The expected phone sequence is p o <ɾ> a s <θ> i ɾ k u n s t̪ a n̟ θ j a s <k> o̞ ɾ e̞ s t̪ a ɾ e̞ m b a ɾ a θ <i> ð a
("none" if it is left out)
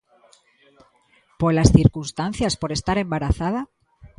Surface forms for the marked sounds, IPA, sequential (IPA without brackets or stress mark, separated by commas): l, θ, p, a